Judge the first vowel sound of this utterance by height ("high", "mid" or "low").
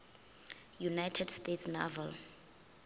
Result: high